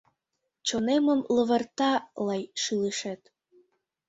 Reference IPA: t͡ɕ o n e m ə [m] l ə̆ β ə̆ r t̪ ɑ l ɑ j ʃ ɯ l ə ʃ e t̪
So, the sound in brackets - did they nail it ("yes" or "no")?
yes